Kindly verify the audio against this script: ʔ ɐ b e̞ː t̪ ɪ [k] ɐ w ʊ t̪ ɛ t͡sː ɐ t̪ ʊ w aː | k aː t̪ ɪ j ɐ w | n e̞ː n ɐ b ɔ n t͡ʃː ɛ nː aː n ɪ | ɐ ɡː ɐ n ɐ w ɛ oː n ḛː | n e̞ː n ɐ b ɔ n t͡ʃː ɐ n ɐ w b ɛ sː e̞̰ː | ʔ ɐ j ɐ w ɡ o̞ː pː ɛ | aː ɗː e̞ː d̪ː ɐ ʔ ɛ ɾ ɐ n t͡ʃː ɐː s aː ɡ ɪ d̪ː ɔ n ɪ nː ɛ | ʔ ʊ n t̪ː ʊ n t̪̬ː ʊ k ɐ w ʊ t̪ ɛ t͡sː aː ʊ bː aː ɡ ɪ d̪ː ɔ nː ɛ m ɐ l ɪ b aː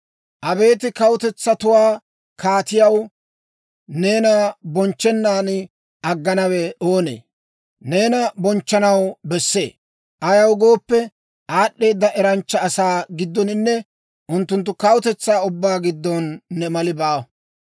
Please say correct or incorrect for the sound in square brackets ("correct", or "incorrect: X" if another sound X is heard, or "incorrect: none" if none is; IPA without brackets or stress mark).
correct